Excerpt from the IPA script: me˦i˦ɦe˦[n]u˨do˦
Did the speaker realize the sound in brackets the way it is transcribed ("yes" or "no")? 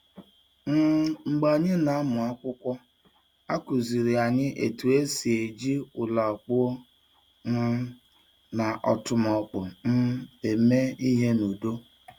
yes